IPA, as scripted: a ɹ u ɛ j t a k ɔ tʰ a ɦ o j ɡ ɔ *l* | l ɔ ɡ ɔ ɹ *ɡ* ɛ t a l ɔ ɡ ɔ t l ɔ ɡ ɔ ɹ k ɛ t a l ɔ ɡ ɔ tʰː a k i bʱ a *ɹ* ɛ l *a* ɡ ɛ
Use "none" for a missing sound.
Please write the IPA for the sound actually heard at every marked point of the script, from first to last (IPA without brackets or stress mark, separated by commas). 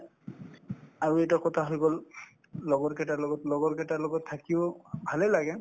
l, k, l, a